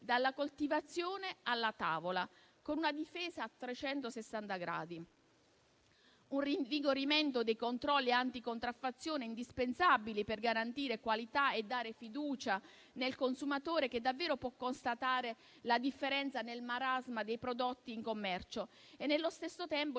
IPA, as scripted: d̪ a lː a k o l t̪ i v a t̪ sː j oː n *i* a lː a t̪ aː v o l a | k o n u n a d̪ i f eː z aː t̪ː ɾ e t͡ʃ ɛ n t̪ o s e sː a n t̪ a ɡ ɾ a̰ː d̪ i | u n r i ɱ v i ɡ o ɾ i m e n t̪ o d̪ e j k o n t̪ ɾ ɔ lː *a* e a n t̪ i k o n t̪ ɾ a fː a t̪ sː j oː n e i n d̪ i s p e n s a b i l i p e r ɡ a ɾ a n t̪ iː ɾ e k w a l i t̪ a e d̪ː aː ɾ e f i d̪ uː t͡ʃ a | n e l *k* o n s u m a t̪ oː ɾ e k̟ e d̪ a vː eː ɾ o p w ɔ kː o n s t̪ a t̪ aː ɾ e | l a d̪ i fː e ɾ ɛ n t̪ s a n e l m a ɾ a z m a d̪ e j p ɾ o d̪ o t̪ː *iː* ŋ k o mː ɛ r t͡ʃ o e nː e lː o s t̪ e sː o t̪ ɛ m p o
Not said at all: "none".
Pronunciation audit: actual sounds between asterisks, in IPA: e, i, k, iː

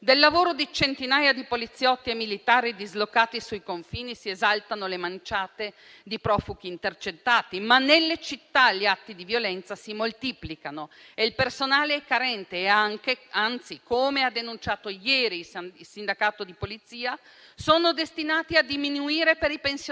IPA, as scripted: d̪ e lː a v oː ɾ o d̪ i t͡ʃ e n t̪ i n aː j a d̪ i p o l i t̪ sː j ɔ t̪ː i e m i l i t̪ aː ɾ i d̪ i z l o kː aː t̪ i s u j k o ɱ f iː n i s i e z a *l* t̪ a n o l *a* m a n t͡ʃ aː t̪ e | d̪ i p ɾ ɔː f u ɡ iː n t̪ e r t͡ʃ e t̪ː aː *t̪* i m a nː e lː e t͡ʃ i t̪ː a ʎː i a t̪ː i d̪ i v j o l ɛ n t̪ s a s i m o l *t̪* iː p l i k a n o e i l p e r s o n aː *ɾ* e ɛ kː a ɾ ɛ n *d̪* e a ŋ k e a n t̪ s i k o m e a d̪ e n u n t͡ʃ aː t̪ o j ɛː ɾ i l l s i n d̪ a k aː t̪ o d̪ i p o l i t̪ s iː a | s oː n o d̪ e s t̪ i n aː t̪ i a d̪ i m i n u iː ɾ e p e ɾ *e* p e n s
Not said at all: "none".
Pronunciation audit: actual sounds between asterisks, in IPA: l, e, t̪, t̪, l, t̪, i

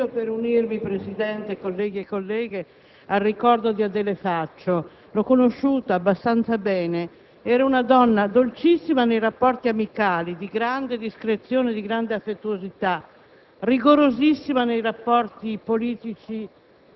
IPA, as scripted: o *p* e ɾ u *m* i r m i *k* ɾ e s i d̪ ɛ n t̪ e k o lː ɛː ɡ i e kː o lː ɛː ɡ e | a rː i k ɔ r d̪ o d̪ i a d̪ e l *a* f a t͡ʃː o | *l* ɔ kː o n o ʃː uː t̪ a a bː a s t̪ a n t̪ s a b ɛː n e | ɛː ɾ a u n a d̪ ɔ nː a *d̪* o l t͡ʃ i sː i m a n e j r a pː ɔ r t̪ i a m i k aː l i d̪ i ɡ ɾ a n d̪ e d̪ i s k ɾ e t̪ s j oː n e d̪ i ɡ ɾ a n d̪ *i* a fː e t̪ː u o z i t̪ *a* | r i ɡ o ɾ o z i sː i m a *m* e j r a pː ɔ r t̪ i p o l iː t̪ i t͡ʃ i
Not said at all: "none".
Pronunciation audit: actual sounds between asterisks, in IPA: p, n, p, e, l, d̪, e, a, n

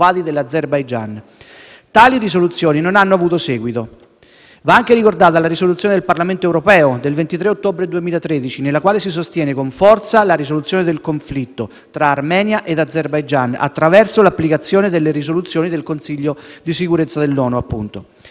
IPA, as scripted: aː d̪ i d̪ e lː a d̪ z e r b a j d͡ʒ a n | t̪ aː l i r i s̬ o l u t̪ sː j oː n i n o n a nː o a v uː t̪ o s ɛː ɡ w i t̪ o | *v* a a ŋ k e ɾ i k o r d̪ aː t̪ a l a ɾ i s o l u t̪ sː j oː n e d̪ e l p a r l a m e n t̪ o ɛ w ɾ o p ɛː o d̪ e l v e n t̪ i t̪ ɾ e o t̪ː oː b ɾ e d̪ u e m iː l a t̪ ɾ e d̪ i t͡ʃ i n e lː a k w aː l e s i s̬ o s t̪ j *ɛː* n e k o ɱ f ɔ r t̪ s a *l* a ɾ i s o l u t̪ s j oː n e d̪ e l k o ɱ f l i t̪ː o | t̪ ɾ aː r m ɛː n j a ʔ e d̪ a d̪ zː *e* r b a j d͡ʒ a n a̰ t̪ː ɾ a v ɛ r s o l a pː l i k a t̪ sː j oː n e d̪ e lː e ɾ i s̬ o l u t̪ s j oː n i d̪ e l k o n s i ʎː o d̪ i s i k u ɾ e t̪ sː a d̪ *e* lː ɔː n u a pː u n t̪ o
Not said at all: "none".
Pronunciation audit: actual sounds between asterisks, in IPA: v, ɛː, l, e, e

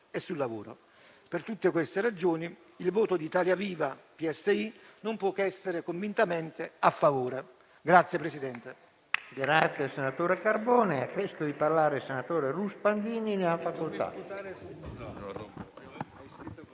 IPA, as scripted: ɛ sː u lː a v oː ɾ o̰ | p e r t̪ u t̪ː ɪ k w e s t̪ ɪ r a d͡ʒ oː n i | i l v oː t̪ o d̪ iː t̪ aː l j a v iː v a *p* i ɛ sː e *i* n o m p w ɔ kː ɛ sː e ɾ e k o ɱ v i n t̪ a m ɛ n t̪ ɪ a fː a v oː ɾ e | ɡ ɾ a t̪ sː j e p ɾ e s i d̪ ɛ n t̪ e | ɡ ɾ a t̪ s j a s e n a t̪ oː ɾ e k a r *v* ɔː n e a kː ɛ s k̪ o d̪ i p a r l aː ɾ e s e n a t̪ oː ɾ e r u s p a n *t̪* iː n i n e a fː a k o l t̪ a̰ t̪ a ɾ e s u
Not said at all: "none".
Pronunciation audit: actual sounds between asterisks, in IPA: p, i, b, d̪

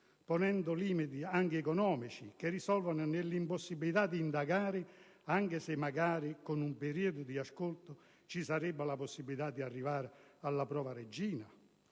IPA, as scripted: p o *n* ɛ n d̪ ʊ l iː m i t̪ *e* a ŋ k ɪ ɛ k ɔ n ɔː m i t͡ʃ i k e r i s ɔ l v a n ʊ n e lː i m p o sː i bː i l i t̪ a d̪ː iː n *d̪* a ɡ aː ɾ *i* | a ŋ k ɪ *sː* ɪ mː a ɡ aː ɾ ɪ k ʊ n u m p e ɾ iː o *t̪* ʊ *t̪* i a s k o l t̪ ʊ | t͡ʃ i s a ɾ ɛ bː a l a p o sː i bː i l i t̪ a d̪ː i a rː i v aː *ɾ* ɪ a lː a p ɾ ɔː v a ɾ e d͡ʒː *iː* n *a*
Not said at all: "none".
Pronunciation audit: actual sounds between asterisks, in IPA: n, i, d̪, ɪ, s, d̪, d̪, ɾ, iː, a

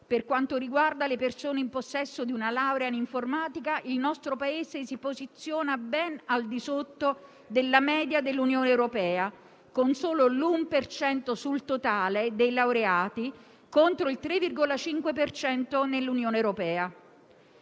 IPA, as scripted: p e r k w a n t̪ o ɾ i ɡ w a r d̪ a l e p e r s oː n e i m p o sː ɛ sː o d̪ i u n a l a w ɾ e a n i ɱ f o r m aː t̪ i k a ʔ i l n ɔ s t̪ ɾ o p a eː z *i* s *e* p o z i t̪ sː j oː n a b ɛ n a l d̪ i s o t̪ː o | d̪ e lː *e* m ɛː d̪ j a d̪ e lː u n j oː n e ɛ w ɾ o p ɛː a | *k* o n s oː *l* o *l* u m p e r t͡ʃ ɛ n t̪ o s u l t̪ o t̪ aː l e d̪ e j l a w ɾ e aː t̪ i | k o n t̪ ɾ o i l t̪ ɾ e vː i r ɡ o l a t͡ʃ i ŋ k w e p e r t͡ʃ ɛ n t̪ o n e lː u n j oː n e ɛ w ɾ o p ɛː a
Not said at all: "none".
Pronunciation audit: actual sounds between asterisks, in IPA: e, i, a, k, l, l

